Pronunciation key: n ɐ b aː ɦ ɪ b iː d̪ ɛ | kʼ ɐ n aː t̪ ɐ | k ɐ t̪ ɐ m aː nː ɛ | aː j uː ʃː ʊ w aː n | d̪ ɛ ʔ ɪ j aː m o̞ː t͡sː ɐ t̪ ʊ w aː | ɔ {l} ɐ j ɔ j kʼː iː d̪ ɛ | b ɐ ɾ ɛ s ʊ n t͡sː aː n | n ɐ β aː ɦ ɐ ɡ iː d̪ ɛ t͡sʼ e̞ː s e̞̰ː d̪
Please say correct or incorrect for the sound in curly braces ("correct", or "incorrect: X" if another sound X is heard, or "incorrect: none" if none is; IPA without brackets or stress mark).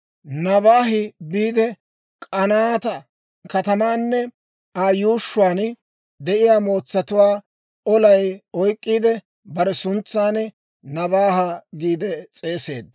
correct